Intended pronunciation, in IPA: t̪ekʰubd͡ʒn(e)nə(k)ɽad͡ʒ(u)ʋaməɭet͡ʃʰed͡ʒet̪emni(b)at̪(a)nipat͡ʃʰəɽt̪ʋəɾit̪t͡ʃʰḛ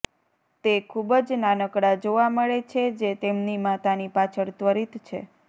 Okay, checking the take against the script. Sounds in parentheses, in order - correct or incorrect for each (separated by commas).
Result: incorrect, correct, incorrect, incorrect, correct